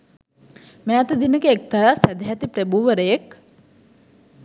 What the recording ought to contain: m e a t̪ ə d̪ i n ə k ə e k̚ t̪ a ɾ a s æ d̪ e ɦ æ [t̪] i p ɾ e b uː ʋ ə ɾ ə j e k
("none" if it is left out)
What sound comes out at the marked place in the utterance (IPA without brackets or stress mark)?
t̪